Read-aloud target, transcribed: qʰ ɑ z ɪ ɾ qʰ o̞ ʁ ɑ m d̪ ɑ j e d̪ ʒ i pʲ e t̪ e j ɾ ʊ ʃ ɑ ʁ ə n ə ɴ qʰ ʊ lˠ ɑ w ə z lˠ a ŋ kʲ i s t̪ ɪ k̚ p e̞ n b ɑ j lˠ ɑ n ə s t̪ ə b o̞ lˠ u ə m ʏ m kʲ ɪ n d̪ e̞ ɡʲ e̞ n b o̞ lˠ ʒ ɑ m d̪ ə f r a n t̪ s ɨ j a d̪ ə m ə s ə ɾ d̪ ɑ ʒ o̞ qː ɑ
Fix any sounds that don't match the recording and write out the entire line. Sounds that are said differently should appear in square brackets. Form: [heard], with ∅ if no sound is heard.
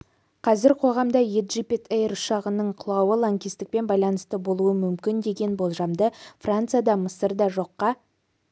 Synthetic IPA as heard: qʰ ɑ z ɪ ɾ qʰ o̞ ʁ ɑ m d̪ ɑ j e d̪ ʒ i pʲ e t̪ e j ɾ ʊ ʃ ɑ ʁ ə n ə ɴ qʰ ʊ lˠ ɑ w ə [∅] lˠ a ŋ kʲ i s t̪ ɪ k̚ p e̞ n b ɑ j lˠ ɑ n ə s t̪ ə b o̞ lˠ u ə m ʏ m kʲ ɪ n d̪ e̞ ɡʲ e̞ n b o̞ lˠ ʒ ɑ m d̪ ə f r a n t̪ s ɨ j a d̪ [ɑ] m ə s ə ɾ d̪ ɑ ʒ o̞ qː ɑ